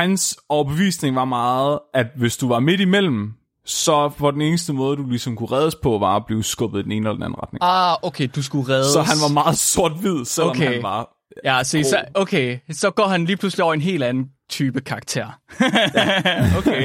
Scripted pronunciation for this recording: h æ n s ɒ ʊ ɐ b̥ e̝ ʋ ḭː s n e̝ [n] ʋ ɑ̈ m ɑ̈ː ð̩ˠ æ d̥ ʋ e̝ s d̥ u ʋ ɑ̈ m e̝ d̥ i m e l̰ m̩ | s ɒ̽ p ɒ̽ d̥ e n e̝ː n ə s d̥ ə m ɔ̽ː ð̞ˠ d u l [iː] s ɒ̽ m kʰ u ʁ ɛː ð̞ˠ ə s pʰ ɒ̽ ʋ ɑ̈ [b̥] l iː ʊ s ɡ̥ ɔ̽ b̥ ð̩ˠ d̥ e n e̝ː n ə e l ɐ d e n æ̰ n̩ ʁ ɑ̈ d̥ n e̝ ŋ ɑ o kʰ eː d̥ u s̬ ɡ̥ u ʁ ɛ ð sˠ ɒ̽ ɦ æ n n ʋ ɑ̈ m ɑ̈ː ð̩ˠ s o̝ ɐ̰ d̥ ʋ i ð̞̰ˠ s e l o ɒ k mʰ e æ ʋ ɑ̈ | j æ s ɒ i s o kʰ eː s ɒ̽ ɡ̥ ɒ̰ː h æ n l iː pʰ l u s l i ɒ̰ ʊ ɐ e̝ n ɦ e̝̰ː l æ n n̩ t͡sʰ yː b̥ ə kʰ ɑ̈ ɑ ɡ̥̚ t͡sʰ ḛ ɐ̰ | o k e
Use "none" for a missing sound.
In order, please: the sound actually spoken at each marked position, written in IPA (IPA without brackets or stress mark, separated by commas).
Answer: ŋ, i, b̥